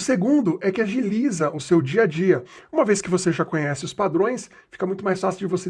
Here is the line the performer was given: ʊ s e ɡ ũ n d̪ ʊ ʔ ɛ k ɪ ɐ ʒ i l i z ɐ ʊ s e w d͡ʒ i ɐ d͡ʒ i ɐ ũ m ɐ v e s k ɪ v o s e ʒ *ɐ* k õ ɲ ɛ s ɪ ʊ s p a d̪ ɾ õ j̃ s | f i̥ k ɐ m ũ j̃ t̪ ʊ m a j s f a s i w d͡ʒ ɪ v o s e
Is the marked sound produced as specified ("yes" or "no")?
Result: no